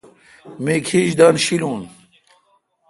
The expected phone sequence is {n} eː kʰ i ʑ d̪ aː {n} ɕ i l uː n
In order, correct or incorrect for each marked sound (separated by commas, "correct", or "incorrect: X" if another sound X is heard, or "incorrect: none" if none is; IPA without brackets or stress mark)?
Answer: incorrect: m, correct